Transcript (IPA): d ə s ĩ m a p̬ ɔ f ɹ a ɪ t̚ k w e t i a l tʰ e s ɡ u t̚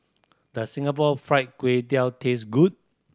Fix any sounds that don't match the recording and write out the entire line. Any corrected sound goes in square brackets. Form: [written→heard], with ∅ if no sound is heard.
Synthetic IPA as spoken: d ə s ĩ [m→ŋ] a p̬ ɔ f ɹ a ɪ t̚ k w e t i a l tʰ e s ɡ u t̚